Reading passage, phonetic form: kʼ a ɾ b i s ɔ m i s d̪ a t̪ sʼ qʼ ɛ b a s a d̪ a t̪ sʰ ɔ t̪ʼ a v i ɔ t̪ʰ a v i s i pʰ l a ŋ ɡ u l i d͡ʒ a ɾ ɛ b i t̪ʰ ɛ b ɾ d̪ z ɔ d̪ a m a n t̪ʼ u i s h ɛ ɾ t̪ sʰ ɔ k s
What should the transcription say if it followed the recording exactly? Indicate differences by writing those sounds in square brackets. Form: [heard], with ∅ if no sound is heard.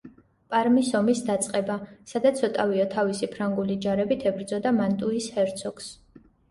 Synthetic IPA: [pʼ] a ɾ [m] i s ɔ m i s d̪ a t̪ sʼ qʼ ɛ b a s a d̪ a t̪ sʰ ɔ t̪ʼ a v i ɔ t̪ʰ a v i s i pʰ [ɾ] a ŋ ɡ u l i d͡ʒ a ɾ ɛ b i t̪ʰ ɛ b ɾ d̪ z ɔ d̪ a m a n t̪ʼ u i s h ɛ ɾ t̪ sʰ ɔ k s